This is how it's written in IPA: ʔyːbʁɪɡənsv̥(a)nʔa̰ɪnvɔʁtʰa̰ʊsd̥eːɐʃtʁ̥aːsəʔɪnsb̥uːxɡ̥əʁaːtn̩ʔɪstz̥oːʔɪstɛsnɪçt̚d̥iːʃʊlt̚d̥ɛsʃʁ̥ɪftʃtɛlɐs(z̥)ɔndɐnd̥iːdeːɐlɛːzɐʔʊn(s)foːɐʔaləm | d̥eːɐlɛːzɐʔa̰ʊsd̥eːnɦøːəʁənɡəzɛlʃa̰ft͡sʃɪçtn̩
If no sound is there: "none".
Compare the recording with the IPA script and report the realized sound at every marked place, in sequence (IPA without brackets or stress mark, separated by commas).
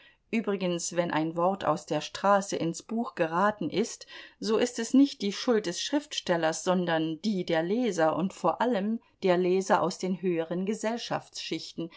ɛ, z̥, t